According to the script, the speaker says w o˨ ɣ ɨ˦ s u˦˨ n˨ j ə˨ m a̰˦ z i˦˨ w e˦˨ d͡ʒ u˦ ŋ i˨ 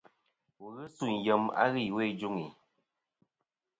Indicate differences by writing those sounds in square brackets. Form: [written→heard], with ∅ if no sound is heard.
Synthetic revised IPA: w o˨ ɣ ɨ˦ s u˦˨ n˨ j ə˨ m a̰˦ [z→ɣ] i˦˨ w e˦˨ d͡ʒ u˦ ŋ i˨